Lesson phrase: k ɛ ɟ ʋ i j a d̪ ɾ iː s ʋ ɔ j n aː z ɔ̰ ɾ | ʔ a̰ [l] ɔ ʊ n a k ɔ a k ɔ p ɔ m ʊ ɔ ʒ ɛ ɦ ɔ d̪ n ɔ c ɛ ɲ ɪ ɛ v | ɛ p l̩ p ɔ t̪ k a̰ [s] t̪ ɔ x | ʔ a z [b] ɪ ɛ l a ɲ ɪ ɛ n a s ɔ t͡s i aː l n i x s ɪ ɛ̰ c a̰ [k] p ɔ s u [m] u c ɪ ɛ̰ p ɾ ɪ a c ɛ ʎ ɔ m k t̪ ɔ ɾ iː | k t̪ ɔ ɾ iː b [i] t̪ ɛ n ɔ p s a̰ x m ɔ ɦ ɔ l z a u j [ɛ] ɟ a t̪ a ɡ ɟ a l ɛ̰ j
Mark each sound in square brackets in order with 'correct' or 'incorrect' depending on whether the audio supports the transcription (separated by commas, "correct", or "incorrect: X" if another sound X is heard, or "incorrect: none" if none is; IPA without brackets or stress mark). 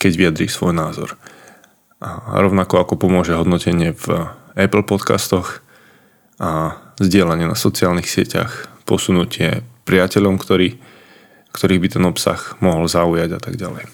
incorrect: ɾ, correct, incorrect: ɟ, incorrect: x, incorrect: n, correct, incorrect: a